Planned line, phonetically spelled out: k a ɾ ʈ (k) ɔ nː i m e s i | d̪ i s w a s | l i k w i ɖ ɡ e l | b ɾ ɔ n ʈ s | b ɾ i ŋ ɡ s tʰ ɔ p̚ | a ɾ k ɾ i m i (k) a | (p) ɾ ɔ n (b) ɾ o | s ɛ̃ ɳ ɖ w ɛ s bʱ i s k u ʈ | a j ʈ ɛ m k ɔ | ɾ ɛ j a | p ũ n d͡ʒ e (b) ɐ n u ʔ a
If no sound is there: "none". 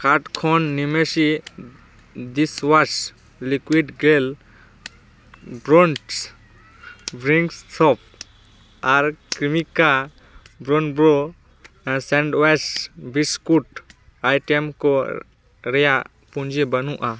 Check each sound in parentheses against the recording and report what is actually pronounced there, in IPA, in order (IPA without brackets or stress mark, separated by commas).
kʰ, k, b, b, b